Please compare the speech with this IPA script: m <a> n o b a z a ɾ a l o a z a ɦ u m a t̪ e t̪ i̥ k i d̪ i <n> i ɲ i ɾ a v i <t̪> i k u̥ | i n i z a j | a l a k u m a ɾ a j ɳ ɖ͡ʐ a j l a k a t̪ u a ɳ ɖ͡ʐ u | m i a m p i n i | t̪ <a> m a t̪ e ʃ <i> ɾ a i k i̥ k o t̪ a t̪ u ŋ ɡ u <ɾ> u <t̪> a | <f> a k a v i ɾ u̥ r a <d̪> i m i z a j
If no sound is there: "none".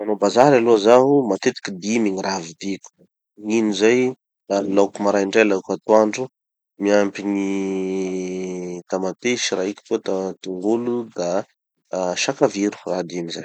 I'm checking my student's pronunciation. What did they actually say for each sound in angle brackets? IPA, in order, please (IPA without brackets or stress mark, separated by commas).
a, m, d̪, a, i, l, d̪, ʃ, d̪